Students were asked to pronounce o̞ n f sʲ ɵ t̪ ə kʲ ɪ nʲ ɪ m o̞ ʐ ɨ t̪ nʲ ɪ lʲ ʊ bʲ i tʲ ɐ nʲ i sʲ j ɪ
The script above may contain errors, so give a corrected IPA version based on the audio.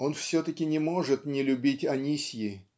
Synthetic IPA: o̞ n f sʲ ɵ t̪ ə kʲ ɪ nʲ ɪ m o̞ ʐ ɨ t̪ nʲ ɪ lʲ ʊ bʲ i tʲ ɐ nʲ i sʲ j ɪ